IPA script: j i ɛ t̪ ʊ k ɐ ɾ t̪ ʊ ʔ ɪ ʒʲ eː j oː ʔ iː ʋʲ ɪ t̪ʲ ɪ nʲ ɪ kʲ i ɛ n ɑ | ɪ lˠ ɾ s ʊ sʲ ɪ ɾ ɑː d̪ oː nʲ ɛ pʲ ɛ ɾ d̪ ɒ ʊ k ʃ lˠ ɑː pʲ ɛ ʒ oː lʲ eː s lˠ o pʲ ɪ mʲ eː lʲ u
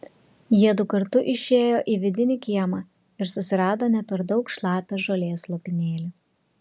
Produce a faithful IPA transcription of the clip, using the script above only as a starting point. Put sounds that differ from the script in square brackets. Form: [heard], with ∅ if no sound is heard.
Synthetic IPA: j i ɛ [d̪] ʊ k ɐ ɾ t̪ ʊ ʔ ɪ [ʃʲ] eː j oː ʔ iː ʋʲ ɪ [d̪ʲ] ɪ nʲ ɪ kʲ i ɛ [m] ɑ | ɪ [∅] ɾ s ʊ sʲ ɪ ɾ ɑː d̪ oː nʲ ɛ pʲ ɛ ɾ d̪ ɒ ʊ k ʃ lˠ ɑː pʲ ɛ ʒ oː lʲ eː s lˠ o pʲ ɪ [nʲ] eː lʲ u